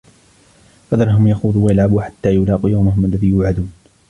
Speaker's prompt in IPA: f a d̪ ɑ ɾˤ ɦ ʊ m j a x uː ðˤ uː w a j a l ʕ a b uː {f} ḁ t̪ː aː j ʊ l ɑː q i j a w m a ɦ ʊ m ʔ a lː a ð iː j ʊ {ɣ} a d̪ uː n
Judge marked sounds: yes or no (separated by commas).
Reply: no, no